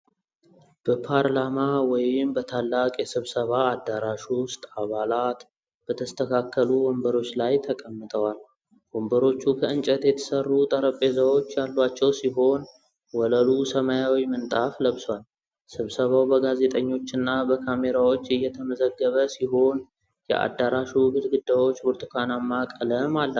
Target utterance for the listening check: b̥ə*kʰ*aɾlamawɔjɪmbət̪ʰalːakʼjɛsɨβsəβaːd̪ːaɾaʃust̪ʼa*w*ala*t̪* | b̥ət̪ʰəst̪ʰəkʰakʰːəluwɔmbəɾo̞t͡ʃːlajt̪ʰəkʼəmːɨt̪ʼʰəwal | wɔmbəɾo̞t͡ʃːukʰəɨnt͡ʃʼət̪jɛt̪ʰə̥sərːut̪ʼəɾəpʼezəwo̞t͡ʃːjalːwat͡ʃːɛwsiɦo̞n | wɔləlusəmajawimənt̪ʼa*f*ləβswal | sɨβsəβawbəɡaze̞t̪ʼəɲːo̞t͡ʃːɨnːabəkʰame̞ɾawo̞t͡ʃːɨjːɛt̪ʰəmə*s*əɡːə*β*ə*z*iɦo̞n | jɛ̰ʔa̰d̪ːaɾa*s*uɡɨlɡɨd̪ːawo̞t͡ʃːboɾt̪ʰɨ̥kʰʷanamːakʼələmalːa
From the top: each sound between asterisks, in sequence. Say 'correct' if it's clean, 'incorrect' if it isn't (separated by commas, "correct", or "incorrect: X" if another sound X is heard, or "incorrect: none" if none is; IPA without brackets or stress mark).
incorrect: pʰ, incorrect: β, correct, correct, incorrect: z, correct, incorrect: s, incorrect: ʃ